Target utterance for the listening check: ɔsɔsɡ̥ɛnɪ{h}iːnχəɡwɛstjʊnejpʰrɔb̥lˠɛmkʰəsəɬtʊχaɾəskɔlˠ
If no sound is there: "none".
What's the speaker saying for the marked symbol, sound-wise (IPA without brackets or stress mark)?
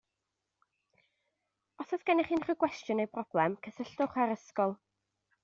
χ